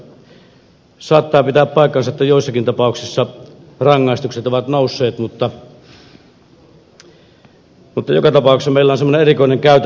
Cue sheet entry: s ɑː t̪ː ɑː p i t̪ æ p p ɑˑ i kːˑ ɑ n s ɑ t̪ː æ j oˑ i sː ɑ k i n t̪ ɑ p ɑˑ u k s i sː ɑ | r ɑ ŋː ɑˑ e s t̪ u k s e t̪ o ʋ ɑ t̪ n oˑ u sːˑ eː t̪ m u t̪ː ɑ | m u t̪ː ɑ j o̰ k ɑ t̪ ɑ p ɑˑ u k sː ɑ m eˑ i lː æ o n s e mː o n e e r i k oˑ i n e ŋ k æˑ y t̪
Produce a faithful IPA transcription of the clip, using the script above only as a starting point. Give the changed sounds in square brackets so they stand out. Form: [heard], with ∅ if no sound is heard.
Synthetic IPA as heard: s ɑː t̪ː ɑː p i t̪ [æː] p p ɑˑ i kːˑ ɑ n s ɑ t̪ː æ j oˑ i sː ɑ k i n t̪ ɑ p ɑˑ u k s i sː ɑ | r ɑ ŋː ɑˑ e s t̪ u k s e t̪ o ʋ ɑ t̪ n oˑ u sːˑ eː t̪ m u t̪ː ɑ | m u t̪ː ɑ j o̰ k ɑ t̪ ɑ p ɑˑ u k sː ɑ m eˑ i lː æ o n s e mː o n e e r i k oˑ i n e ŋ k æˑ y t̪